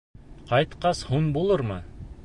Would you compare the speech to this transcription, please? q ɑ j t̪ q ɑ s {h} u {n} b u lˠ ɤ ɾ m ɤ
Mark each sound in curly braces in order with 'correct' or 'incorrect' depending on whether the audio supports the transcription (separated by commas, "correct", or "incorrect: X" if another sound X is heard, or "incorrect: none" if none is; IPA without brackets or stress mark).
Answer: correct, correct